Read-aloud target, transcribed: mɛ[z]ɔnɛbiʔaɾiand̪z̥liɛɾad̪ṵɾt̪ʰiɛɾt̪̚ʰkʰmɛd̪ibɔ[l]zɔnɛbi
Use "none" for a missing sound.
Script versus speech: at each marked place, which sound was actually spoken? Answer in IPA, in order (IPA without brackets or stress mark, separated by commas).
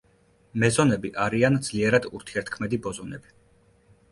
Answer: z, none